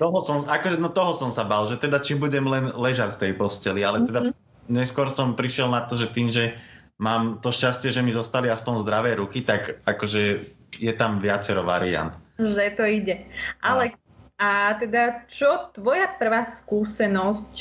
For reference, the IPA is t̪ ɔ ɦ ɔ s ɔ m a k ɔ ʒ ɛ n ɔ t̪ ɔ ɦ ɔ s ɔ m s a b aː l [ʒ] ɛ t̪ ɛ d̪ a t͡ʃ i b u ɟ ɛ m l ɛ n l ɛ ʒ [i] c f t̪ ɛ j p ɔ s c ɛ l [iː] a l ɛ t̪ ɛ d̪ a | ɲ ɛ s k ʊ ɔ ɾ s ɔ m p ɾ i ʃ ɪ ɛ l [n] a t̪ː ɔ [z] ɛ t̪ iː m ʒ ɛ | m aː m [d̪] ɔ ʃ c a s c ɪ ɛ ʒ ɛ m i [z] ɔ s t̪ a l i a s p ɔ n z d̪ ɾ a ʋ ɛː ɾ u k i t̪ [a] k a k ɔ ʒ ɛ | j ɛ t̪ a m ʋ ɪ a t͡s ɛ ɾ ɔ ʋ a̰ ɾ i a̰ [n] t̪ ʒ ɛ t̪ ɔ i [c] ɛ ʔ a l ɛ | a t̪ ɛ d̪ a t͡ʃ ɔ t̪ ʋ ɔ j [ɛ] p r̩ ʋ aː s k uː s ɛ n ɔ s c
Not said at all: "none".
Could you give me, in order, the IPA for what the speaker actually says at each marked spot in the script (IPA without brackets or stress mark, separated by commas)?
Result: ʒ, a, i, n, ʒ, t̪, z, a, n, ɟ, a